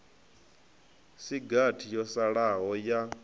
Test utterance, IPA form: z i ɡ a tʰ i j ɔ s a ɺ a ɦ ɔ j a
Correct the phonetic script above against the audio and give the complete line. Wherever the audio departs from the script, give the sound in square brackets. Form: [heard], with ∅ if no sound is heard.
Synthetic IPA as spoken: [s] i ɡ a tʰ i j ɔ s a ɺ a ɦ ɔ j a